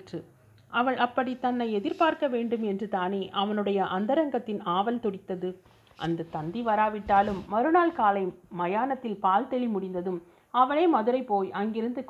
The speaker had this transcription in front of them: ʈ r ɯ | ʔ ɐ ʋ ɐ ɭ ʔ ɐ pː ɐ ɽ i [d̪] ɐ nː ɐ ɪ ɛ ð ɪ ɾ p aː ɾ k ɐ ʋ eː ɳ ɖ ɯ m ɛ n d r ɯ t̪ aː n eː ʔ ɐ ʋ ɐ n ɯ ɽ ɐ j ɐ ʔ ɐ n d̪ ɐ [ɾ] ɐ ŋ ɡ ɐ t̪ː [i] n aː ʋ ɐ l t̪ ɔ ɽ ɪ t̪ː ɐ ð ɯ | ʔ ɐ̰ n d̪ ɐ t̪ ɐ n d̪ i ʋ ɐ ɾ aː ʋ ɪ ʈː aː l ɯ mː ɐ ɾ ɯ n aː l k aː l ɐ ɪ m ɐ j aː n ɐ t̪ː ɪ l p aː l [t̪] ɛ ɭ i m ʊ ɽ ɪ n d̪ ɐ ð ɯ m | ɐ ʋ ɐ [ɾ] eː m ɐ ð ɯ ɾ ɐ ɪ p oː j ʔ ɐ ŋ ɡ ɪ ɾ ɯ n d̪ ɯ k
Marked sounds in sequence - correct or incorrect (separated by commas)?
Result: incorrect, correct, incorrect, correct, incorrect